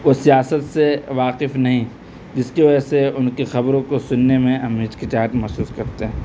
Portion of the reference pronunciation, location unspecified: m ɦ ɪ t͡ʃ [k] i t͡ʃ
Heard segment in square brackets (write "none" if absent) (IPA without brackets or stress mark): k